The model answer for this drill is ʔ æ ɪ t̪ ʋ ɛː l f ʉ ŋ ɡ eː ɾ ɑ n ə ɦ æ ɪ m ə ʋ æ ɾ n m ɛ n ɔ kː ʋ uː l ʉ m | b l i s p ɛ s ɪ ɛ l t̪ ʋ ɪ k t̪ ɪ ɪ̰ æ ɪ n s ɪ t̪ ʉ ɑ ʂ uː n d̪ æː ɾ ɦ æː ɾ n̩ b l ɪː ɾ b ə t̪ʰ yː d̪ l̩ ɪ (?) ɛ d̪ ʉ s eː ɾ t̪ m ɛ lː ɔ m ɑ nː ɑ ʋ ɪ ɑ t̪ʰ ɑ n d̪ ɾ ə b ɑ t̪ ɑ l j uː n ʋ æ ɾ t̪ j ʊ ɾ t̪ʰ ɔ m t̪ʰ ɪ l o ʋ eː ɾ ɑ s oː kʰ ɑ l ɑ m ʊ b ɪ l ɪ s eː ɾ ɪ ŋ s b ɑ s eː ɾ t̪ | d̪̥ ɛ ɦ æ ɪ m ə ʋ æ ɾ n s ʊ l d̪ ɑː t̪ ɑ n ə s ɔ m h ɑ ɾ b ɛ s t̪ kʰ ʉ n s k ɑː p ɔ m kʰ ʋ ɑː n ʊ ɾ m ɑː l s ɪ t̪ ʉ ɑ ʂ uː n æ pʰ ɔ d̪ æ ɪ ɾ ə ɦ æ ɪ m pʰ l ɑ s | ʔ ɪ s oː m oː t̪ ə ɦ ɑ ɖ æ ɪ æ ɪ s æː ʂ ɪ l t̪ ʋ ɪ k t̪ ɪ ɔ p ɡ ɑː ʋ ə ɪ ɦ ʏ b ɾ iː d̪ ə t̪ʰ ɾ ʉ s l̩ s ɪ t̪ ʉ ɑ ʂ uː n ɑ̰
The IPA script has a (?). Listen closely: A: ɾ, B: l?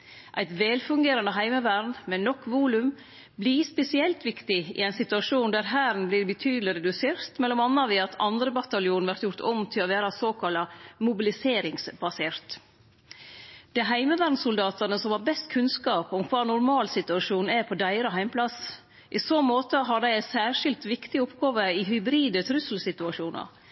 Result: A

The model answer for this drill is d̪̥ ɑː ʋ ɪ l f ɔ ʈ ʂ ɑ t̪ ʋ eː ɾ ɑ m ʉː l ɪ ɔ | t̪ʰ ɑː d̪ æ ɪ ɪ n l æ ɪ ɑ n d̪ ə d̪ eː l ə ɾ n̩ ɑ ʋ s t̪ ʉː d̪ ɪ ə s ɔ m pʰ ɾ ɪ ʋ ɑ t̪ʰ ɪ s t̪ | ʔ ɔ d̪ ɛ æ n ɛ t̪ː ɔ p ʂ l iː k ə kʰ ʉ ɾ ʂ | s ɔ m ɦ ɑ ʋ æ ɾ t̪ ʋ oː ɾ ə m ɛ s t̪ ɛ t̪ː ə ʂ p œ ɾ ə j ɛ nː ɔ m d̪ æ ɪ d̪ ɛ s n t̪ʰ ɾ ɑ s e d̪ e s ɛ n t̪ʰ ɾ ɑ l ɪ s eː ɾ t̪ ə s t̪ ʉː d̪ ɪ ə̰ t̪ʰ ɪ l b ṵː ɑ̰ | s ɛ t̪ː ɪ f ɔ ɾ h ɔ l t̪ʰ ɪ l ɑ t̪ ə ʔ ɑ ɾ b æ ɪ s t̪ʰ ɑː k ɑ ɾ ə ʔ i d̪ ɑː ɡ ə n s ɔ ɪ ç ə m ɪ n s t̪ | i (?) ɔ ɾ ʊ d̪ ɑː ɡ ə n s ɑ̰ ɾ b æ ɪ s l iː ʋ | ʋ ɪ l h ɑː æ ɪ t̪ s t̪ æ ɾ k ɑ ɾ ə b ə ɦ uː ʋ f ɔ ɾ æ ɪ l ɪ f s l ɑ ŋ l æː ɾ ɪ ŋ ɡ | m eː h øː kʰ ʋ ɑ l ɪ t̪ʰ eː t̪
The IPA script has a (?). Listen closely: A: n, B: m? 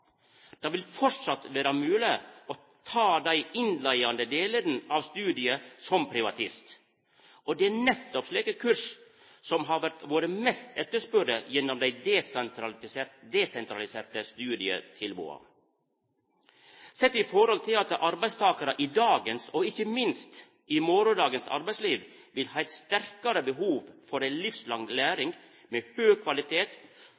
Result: B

